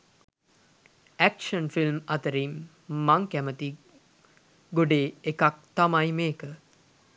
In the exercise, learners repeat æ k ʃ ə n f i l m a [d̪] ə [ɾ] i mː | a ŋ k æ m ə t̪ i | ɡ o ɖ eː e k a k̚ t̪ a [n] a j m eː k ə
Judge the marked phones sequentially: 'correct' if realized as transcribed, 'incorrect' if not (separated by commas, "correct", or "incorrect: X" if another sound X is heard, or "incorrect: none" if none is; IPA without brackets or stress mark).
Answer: incorrect: t̪, correct, incorrect: m